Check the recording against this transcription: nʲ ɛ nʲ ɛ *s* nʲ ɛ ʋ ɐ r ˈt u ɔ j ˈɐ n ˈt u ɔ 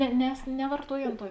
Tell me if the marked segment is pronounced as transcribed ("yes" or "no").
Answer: yes